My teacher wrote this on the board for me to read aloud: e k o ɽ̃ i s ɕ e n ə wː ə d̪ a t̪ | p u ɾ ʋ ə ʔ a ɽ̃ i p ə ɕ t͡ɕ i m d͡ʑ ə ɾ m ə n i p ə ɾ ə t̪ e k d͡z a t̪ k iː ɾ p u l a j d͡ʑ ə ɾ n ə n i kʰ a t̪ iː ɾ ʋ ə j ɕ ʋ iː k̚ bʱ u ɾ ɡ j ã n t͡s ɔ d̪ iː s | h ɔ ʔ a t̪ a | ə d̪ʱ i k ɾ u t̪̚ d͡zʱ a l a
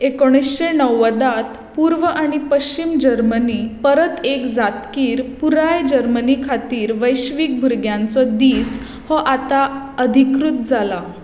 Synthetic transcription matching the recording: e k o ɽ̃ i s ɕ e n ə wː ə d̪ a t̪ | p u ɾ ʋ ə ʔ a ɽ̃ i p ə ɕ t͡ɕ i m d͡ʑ ə ɾ m ə n i p ə ɾ ə t̪ e k d͡z a t̪ k iː ɾ p u ɾ a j d͡ʑ ə ɾ m ə n i kʰ a t̪ iː ɾ ʋ ə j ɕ ʋ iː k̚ bʱ u ɾ ɡ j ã n t͡s ɔ d̪ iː s | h ɔ ʔ a t̪ a | ə d̪ʱ i k ɾ u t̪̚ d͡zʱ a l a